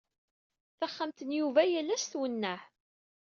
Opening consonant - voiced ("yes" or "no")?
no